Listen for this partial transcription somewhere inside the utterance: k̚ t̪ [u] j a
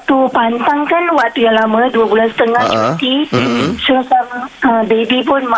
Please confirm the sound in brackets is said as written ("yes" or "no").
yes